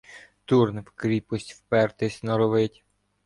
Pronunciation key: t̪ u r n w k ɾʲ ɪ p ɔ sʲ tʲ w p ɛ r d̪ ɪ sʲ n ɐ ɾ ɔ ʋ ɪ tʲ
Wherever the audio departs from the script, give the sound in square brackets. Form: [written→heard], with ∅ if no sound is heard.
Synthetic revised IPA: t̪ u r n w k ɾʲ [ɪ→i] p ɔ sʲ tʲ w p ɛ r [d̪→t̪] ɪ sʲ n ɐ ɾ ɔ ʋ ɪ tʲ